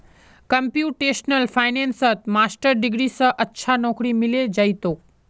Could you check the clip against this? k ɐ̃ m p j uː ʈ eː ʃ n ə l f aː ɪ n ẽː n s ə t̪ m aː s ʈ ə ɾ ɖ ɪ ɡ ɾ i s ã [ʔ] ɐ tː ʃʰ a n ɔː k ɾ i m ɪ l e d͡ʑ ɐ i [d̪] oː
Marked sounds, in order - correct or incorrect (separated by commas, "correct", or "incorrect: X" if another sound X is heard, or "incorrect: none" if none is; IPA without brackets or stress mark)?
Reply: correct, incorrect: t̪